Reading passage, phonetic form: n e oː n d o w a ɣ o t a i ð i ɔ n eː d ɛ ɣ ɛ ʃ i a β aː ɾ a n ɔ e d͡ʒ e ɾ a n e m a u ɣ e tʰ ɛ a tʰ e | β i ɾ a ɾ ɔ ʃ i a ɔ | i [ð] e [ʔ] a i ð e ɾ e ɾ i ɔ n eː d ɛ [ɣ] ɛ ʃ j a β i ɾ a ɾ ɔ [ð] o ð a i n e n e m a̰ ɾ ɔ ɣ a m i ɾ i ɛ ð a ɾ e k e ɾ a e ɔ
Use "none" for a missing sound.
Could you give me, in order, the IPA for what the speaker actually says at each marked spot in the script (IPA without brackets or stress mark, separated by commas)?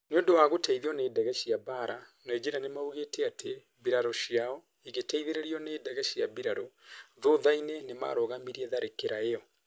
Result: ɣ, t, ɣ, ð